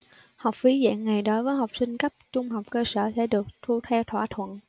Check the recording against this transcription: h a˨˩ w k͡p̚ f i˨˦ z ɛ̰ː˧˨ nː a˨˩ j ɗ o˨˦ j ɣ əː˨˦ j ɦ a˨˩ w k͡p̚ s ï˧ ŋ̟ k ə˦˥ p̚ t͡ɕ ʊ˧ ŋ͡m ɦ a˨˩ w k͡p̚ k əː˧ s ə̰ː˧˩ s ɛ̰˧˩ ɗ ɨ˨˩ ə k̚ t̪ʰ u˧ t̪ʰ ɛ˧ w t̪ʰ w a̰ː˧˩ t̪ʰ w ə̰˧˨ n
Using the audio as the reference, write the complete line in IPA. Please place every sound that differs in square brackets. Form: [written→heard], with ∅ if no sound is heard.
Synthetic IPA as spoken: h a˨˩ w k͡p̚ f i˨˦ z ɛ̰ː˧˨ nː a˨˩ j ɗ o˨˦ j [ɣ→v] əː˨˦ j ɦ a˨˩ w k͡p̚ s ï˧ ŋ̟ k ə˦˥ p̚ t͡ɕ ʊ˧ ŋ͡m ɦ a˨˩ w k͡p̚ k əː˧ s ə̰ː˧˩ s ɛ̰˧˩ ɗ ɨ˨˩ ə k̚ t̪ʰ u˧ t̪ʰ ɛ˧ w t̪ʰ w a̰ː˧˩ t̪ʰ w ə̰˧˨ n